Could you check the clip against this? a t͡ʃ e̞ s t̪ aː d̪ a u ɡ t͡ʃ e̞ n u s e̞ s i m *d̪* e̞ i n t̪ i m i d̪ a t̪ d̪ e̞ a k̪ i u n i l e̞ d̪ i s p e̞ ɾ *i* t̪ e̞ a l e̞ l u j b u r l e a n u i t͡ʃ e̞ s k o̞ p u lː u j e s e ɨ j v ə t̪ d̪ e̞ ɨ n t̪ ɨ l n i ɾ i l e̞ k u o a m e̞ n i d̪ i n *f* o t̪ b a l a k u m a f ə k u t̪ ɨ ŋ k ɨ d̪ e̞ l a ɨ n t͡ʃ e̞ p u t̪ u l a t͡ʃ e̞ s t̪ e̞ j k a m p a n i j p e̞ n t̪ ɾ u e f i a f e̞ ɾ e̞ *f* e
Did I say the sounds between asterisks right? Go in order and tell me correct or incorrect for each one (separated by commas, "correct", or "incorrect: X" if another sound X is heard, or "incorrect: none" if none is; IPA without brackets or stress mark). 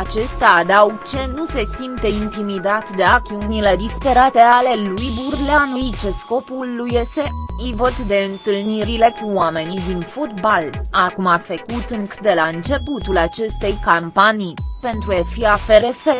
incorrect: t̪, incorrect: a, correct, correct